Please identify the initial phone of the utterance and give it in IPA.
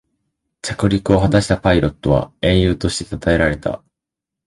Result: t͡ɕ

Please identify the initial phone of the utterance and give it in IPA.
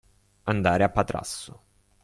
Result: a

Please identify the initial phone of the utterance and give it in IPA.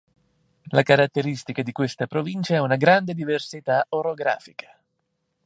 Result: l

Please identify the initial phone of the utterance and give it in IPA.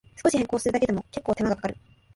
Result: s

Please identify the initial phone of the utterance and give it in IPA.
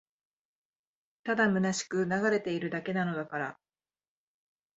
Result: t̪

